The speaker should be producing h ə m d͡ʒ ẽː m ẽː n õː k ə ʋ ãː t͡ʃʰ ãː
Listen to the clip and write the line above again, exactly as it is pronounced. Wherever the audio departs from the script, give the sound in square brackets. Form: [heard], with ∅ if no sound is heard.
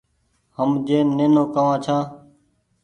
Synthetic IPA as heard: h ə m d͡ʒ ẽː [n] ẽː n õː k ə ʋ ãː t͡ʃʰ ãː